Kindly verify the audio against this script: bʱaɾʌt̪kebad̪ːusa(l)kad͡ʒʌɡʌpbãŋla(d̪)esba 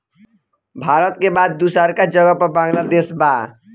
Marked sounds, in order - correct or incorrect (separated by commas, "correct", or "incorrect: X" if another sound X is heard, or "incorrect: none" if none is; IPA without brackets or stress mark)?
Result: incorrect: ɾ, correct